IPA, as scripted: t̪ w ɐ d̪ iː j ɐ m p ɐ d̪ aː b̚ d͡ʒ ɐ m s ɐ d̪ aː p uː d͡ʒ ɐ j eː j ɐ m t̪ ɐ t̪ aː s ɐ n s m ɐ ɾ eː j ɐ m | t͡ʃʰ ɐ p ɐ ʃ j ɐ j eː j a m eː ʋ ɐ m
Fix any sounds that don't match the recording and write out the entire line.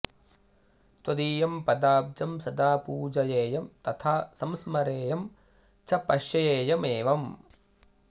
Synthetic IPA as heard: t̪ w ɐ d̪ iː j ɐ m p ɐ d̪ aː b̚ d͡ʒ ɐ m s ɐ d̪ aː p uː d͡ʒ ɐ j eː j ɐ m t̪ ɐ t̪ʰ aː s ɐ m s m ɐ ɾ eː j ɐ m | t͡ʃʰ ɐ p ɐ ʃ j ɐ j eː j ɐ m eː ʋ ɐ m